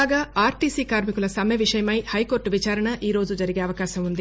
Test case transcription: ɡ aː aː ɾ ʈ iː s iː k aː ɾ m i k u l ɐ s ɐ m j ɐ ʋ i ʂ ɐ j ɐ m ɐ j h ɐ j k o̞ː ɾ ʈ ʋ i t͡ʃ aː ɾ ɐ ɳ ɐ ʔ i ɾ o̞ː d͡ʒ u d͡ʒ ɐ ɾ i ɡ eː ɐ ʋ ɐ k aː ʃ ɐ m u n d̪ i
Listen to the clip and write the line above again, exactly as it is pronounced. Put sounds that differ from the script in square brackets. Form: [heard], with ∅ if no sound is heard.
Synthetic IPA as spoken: ɡ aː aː ɾ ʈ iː s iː k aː ɾ m i k u l ɐ s ɐ m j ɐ ʋ i ʂ ɐ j ɐ m ɐ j h ɐ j k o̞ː ɾ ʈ ʋ i t͡ʃ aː ɾ ɐ ɳ ɐ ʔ [iː] ɾ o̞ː d͡ʒ u d͡ʒ ɐ ɾ i ɡ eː ɐ ʋ ɐ k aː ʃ ɐ m u n d̪ i